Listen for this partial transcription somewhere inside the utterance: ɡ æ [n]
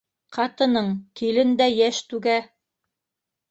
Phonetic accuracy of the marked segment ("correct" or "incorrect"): incorrect